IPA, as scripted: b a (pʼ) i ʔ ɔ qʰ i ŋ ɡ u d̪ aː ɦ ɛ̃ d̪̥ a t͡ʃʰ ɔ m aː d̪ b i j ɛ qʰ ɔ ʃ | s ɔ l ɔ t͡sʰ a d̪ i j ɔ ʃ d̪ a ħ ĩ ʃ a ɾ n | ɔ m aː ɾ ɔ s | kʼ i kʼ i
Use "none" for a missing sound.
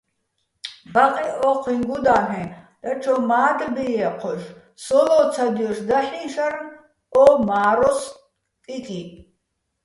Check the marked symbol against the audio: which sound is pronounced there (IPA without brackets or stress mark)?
qʼ